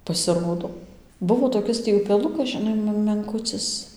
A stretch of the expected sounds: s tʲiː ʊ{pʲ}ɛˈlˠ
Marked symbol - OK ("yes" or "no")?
yes